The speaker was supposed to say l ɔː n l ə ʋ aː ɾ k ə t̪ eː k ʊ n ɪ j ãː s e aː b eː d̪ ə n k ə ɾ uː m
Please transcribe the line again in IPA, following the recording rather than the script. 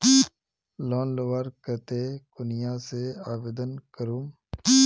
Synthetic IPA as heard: l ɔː n l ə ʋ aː ɾ k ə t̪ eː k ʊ n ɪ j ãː s e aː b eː d̪ ə n k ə ɾ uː m